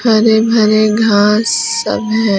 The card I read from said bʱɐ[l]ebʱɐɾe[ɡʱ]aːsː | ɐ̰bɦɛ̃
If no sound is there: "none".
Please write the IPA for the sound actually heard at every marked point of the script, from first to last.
ɾ, ɡʱ

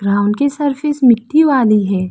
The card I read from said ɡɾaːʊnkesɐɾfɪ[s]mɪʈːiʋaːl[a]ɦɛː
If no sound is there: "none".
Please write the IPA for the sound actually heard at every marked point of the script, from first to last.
s, i

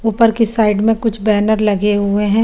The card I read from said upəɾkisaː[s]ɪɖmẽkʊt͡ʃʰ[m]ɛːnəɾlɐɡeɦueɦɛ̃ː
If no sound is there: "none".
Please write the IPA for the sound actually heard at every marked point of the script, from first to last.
none, b

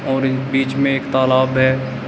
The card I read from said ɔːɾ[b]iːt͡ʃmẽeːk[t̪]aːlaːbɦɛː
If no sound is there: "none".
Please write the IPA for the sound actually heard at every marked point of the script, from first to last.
b, t̪

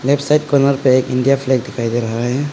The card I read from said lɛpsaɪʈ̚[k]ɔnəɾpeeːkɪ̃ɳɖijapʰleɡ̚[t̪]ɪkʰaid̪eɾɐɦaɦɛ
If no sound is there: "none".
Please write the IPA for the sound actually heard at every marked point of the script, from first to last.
k, d̪

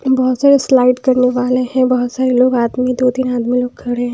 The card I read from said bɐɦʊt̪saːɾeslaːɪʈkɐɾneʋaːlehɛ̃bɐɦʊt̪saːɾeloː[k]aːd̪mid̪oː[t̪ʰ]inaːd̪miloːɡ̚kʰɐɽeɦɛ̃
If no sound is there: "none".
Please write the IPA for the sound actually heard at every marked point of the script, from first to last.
ɡ, t̪

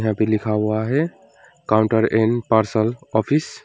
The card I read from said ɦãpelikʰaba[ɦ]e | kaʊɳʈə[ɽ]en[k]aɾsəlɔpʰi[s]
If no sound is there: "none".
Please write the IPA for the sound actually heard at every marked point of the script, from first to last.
ɦ, ɾ, p, s

